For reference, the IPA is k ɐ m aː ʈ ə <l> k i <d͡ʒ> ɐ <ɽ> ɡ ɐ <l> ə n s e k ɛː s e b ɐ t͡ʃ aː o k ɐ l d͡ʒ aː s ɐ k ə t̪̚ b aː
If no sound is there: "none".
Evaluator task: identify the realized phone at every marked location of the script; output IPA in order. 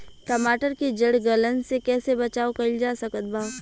ɾ, d͡ʒ, ɽ, l

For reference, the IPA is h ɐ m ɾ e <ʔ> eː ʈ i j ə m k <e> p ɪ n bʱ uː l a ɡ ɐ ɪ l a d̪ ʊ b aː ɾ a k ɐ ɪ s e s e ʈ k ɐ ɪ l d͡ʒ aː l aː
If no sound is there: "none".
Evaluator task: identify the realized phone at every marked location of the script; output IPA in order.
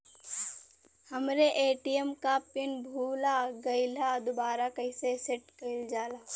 ʔ, a

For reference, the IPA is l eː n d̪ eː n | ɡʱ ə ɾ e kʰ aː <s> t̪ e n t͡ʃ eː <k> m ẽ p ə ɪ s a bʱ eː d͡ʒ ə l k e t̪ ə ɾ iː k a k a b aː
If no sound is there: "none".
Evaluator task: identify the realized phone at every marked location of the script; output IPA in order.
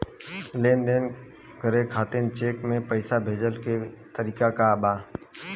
none, k

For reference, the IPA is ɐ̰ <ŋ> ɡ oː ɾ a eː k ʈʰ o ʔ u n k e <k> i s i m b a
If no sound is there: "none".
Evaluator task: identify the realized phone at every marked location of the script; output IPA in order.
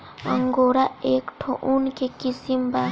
ŋ, k

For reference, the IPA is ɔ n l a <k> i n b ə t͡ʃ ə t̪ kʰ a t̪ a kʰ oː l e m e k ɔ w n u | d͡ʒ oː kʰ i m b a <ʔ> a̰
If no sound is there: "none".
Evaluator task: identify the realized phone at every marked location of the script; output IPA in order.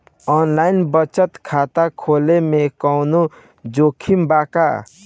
none, k

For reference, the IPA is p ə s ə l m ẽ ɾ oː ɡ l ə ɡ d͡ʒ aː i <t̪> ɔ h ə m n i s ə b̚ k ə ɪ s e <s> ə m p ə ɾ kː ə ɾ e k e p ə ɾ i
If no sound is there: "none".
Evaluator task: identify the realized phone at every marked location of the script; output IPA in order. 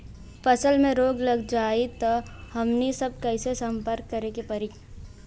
t̪, s

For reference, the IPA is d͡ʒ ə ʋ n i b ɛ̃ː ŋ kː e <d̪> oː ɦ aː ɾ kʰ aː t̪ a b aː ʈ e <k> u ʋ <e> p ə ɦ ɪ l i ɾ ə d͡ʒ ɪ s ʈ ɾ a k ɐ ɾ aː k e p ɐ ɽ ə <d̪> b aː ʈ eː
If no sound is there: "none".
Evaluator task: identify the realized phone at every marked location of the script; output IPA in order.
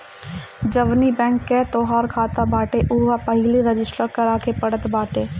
t̪, ʔ, a, t̪

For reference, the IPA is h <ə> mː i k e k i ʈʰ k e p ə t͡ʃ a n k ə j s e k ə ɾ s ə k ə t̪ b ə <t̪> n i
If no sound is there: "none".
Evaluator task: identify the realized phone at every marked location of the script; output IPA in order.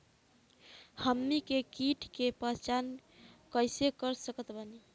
ə, none

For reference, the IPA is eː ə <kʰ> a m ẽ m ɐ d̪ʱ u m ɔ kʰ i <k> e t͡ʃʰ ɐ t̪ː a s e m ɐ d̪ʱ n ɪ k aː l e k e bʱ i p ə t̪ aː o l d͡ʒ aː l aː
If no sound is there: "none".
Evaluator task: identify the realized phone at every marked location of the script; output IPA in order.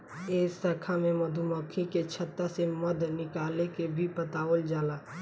kʰ, k

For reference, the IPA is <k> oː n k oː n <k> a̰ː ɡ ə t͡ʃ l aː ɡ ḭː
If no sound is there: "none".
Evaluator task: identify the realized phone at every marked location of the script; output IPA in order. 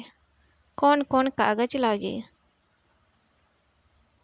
k, k

